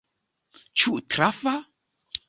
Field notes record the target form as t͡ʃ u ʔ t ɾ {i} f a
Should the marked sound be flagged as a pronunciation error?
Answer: yes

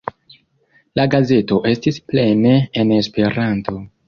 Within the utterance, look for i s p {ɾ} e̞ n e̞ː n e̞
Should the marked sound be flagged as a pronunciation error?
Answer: yes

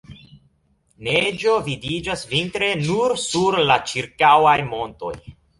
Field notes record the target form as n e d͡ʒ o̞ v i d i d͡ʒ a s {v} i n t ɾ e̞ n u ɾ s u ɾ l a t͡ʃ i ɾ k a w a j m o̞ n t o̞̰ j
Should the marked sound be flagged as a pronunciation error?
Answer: no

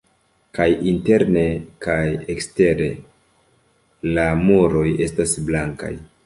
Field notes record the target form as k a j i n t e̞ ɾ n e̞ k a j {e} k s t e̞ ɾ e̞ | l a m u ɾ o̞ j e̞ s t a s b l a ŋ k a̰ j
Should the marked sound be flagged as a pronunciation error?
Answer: no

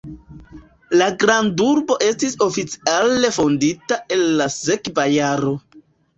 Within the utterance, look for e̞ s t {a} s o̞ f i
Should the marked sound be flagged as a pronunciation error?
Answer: yes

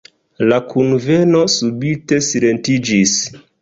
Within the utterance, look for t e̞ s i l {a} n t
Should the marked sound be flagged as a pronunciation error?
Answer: yes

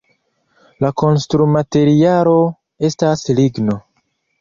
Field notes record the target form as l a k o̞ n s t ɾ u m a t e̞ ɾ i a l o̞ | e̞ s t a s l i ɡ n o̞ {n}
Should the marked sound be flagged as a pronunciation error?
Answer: yes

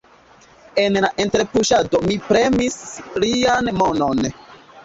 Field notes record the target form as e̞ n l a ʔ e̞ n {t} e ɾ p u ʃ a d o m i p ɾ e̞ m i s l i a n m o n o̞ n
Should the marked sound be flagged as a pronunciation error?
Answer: no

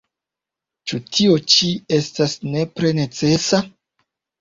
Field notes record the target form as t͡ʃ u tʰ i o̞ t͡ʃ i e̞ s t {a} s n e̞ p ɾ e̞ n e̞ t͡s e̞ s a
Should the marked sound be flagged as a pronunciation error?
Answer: no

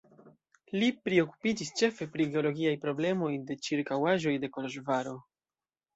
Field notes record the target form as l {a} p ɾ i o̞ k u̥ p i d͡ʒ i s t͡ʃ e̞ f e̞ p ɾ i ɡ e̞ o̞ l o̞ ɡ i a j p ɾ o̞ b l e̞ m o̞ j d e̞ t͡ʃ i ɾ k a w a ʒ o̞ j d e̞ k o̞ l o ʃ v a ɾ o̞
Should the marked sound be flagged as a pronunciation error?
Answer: yes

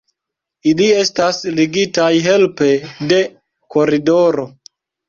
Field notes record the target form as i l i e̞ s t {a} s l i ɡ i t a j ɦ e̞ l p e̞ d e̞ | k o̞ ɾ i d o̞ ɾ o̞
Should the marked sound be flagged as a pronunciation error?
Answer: no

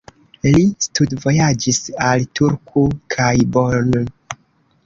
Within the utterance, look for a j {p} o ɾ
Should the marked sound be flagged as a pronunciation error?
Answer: yes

